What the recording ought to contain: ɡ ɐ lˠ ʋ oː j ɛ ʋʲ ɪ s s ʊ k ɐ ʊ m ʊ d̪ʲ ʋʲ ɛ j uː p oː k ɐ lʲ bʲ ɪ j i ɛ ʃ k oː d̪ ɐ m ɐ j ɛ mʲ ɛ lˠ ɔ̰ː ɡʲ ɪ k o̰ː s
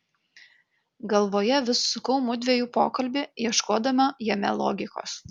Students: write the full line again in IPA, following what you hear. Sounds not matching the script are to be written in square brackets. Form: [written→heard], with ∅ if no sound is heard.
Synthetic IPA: ɡ ɐ lˠ ʋ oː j ɛ ʋʲ ɪ s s ʊ k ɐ ʊ m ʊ d̪ʲ ʋʲ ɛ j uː p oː k ɐ lʲ bʲ ɪ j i ɛ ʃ k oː d̪ ɐ m ɐ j ɛ mʲ ɛ lˠ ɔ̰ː ɡʲ ɪ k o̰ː s